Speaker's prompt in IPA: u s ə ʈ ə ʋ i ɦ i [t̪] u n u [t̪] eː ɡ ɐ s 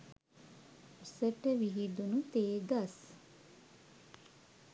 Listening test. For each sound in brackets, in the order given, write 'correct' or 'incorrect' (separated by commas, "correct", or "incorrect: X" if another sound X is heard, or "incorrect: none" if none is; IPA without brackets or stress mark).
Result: incorrect: d̪, correct